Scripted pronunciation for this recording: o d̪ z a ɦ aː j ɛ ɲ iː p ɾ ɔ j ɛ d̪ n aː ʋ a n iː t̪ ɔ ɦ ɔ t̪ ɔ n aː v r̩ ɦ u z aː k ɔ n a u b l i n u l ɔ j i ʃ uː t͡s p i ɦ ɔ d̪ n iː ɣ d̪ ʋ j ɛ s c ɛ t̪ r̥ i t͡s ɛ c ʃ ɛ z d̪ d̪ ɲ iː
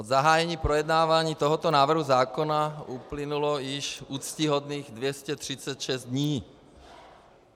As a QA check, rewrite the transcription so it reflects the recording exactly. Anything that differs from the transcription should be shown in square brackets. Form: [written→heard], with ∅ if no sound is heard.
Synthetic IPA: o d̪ z a ɦ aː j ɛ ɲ iː p ɾ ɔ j ɛ d̪ n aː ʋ a [n→ɲ] iː t̪ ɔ ɦ ɔ t̪ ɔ n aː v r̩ ɦ u z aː k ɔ n a u [b→p] l i n u l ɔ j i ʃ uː t͡s [p→c] i ɦ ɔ d̪ n iː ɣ d̪ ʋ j ɛ s c ɛ t̪ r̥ i t͡s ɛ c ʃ ɛ z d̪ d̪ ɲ iː